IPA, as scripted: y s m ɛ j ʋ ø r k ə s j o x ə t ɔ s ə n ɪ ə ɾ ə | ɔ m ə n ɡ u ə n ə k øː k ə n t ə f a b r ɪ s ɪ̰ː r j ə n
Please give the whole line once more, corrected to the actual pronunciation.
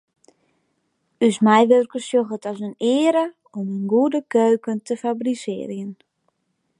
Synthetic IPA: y s m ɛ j ʋ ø r k ə s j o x ə t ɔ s ə n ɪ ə ɾ ə | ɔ m ə n ɡ u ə d ə k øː k ə n t ə f a b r i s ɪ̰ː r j ə n